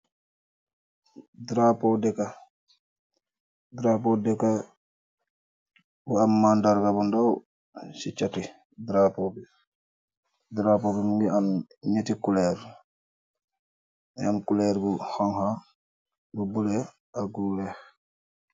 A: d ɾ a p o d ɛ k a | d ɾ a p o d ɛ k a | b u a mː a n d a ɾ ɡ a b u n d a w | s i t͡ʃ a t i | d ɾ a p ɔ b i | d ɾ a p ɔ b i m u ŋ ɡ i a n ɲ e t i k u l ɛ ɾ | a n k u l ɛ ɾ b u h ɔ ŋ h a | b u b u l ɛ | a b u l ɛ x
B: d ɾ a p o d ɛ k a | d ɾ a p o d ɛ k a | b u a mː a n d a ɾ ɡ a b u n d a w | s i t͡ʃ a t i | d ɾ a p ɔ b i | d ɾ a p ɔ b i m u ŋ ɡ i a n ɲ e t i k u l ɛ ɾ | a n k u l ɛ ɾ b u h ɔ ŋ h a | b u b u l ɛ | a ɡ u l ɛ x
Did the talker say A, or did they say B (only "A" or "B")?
B